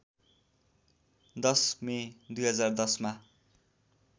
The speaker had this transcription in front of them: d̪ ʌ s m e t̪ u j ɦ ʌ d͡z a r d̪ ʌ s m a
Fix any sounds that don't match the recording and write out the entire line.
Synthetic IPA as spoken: d̪ ʌ s m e d̪ u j ɦ ʌ d͡z a r d̪ ʌ s m a